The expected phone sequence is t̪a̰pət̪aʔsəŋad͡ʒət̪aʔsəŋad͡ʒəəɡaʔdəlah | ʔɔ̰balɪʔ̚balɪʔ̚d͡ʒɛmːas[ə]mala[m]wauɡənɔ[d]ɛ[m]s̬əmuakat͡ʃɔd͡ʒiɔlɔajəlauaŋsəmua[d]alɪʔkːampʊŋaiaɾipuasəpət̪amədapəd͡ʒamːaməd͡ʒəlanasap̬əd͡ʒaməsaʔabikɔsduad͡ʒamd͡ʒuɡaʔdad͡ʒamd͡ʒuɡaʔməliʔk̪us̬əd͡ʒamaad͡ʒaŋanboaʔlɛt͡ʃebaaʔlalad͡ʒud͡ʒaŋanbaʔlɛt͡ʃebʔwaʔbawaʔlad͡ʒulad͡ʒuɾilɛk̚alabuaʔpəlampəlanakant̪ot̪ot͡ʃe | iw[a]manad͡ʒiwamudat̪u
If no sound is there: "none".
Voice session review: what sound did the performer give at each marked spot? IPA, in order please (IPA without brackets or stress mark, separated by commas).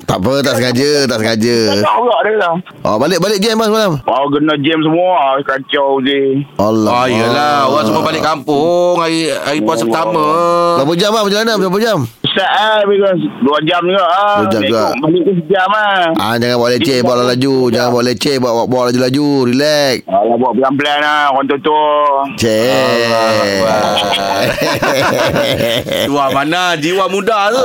ə, m, d͡ʒ, m, b, a